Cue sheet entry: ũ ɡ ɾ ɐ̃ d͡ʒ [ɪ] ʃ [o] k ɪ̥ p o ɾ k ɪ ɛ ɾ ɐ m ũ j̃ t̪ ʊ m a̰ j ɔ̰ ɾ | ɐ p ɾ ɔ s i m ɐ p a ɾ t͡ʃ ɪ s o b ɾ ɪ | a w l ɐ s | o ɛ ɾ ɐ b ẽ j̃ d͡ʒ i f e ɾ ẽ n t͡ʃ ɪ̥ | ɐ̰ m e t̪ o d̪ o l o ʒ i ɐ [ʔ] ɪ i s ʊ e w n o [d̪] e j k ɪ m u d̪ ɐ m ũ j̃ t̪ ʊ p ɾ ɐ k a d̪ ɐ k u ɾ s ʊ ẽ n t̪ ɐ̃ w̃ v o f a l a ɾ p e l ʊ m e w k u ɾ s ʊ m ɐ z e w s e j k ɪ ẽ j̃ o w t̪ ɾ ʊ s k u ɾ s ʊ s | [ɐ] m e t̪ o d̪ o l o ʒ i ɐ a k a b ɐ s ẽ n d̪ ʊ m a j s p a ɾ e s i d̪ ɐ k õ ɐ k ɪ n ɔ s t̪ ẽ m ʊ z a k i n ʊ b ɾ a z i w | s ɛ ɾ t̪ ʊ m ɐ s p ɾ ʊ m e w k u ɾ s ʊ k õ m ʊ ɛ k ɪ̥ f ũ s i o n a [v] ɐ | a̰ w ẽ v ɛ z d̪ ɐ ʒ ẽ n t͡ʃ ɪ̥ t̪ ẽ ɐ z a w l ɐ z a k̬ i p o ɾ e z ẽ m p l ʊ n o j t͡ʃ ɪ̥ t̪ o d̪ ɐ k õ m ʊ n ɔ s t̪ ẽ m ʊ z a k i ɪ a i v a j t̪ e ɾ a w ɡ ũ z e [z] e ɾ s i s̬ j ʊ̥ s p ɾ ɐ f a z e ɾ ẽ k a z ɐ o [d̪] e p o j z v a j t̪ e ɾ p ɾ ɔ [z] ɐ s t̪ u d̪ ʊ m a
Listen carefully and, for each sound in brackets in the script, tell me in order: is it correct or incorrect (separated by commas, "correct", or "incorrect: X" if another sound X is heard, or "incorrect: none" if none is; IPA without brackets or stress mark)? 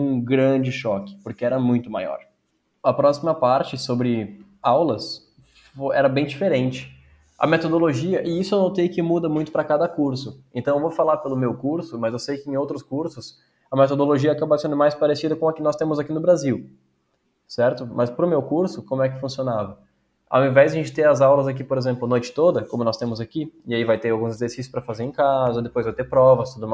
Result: correct, incorrect: ɔ, correct, incorrect: t̪, correct, correct, correct, correct, incorrect: v